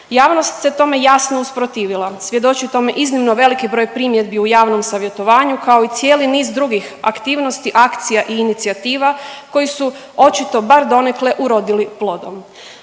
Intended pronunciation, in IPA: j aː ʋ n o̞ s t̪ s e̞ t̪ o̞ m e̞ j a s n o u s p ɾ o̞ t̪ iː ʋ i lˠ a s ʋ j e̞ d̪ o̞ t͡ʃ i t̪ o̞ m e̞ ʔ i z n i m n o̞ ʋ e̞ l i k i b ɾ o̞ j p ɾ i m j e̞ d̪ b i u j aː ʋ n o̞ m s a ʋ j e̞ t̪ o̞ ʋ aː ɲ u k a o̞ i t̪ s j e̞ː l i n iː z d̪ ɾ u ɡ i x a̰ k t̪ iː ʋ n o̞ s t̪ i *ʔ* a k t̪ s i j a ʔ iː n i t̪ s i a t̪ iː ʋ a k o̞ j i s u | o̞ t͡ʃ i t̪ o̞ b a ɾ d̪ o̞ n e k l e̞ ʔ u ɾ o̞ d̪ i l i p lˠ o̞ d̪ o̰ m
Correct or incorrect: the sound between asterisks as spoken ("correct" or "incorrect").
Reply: correct